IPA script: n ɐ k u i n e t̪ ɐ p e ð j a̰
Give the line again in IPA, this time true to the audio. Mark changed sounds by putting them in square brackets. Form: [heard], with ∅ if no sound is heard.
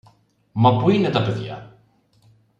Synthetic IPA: [m] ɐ [p] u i n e t̪ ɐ p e ð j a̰